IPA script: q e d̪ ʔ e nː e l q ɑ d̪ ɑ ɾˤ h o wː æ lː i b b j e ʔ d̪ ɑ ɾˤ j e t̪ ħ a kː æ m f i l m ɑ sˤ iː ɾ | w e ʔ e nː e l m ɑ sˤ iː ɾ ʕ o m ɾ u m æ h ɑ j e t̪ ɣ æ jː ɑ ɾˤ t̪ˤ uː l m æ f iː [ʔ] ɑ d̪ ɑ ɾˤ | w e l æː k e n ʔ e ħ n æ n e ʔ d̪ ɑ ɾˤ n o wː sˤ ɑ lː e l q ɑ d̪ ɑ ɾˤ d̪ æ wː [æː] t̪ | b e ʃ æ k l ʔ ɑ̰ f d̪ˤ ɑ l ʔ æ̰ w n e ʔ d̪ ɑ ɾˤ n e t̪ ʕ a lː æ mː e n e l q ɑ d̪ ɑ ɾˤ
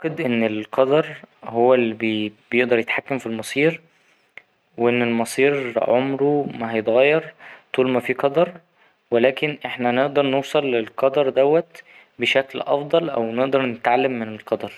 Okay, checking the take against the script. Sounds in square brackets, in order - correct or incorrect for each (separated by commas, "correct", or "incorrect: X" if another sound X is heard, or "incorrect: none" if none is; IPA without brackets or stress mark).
incorrect: q, incorrect: æ